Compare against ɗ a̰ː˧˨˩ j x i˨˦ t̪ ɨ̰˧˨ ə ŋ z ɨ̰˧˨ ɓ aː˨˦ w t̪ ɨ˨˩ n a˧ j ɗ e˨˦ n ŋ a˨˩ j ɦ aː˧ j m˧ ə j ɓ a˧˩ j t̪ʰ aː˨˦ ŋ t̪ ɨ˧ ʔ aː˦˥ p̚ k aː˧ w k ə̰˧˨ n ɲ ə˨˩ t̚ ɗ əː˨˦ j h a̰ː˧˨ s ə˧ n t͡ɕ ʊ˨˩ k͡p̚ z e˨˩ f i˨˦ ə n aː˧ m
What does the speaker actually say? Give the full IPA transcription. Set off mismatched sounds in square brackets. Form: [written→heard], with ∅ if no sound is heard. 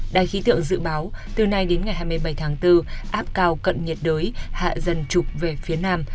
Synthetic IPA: ɗ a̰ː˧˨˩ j x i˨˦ t̪ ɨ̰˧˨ ə ŋ z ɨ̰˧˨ ɓ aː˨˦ w t̪ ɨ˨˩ n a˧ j ɗ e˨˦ n ŋ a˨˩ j ɦ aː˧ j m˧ ə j ɓ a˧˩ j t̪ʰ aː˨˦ ŋ t̪ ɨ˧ ʔ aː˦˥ p̚ k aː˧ w k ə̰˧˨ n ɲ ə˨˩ t̚ ɗ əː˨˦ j h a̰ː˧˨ [s→z] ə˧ n t͡ɕ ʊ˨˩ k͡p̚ [z→v] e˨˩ f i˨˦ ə n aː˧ m